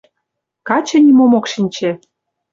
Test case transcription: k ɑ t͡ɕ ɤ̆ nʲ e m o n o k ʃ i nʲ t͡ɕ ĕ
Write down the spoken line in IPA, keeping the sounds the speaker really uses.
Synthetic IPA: k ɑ t͡ɕ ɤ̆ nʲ i m o m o k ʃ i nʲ t͡ɕ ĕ